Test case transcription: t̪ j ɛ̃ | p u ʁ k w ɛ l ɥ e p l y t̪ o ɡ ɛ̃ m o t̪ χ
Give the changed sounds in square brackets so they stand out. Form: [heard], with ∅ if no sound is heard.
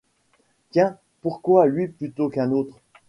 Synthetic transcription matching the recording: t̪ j ɛ̃ | p u ʁ k w [a] l ɥ [i] p l y t̪ o [k] ɛ̃ [n] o t̪ χ